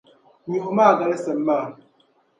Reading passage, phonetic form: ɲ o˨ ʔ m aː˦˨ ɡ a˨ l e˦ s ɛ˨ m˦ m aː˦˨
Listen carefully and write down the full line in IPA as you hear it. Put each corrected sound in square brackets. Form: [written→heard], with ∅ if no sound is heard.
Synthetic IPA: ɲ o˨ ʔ m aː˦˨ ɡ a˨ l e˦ s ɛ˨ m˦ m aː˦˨